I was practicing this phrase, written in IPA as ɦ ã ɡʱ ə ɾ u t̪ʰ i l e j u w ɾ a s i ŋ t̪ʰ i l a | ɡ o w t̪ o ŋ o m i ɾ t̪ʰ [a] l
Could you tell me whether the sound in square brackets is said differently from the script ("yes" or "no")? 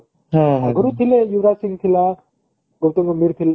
yes